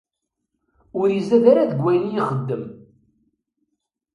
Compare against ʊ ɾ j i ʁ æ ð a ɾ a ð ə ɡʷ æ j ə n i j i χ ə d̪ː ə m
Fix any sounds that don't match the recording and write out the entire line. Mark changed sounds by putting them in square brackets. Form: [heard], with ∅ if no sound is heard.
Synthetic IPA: ʊ ɾ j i [z] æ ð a ɾ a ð ə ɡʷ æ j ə n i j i χ ə d̪ː ə m